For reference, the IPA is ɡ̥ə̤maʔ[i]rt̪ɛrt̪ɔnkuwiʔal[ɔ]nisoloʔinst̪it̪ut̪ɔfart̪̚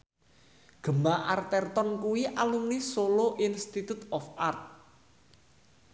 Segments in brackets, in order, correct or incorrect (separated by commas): incorrect, incorrect